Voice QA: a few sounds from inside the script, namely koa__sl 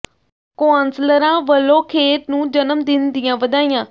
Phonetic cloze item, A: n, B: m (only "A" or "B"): A